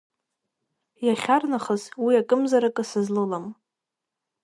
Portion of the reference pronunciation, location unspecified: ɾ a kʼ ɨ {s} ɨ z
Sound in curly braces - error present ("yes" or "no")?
no